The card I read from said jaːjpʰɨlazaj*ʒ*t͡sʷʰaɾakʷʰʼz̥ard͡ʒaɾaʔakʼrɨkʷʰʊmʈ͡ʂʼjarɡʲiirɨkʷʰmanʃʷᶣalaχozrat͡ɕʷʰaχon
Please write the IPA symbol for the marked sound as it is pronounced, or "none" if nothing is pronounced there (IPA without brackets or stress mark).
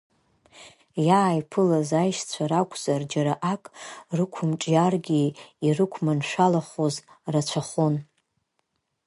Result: ʃ